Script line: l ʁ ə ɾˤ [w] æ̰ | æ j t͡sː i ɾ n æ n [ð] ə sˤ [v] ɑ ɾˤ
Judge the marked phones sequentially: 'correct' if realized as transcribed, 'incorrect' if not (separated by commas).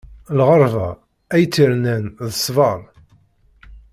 incorrect, correct, correct